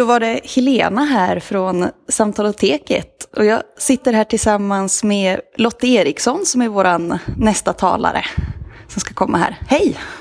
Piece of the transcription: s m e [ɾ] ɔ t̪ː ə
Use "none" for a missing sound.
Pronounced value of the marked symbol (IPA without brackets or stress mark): l